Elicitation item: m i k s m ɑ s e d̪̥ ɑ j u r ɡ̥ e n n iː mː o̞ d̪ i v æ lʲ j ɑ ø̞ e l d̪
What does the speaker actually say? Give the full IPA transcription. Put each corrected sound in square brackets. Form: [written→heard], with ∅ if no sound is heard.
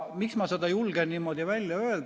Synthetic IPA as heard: m i k s m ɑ s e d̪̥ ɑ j u [r→l] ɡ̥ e n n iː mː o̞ d̪ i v æ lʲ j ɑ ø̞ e l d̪